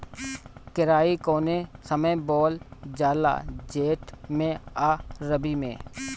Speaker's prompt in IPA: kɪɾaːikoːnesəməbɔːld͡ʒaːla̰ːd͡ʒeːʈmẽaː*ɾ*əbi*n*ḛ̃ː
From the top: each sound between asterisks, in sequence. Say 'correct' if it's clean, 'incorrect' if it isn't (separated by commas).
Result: correct, incorrect